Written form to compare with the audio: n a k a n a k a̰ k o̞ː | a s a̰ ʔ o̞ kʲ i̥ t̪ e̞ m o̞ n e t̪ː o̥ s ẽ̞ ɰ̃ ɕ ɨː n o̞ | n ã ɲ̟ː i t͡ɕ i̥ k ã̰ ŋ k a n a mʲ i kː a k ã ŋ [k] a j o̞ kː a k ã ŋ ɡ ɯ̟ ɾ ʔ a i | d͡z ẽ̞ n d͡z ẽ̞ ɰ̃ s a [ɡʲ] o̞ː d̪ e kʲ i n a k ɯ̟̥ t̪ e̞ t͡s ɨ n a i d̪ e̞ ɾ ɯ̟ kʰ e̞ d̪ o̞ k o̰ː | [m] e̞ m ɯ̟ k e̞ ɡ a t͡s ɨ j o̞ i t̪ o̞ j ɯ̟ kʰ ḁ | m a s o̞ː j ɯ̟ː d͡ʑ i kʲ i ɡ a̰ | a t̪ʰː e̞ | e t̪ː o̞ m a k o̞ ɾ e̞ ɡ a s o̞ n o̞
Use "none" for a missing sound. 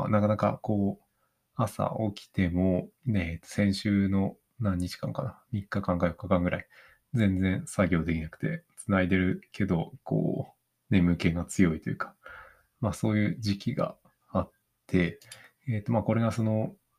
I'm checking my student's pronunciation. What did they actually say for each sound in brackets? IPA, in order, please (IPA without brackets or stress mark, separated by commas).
k, ɡʲ, n